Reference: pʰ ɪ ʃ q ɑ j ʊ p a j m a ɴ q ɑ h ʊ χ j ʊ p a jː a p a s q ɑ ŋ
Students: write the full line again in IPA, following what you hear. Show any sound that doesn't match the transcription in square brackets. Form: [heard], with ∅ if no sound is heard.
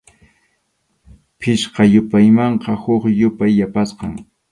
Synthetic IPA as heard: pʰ ɪ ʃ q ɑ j ʊ p a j m [ɑ] ɴ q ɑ h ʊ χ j ʊ p a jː a p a s q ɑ ŋ